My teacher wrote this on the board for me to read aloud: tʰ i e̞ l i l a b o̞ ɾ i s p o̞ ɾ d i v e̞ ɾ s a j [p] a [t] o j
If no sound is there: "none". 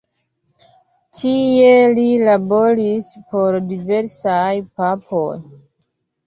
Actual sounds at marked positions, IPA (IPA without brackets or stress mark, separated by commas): p, p